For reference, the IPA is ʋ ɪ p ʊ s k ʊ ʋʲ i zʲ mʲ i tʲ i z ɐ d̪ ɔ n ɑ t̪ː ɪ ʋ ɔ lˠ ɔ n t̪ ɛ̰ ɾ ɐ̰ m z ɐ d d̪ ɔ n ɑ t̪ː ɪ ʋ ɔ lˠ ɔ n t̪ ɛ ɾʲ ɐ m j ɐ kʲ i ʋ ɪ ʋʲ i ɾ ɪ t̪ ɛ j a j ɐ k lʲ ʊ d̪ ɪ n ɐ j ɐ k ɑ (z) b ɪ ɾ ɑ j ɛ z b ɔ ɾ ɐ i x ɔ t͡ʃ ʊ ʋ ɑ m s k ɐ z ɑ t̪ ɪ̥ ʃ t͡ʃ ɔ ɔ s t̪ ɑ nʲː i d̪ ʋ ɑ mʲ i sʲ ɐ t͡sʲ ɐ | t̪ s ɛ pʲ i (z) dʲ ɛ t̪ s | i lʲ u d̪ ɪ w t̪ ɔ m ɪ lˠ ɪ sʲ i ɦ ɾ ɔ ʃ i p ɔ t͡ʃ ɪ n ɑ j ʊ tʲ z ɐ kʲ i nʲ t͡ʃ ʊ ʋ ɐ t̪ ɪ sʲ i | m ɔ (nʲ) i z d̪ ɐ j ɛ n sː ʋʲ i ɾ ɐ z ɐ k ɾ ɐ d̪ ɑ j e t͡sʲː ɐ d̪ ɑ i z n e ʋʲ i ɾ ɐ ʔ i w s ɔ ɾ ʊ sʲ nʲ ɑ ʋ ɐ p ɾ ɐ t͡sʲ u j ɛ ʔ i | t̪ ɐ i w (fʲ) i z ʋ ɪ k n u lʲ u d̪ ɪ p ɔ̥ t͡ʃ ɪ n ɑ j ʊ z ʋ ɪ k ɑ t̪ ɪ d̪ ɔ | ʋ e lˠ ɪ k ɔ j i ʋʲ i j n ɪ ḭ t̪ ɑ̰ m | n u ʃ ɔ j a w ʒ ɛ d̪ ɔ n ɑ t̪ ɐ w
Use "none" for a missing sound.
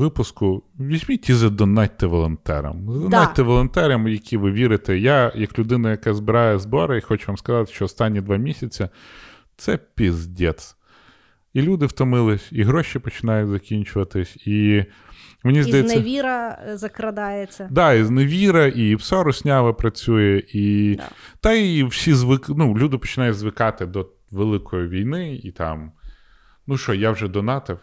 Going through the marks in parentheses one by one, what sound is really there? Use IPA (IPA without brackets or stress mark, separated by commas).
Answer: z, z, nʲ, sʲ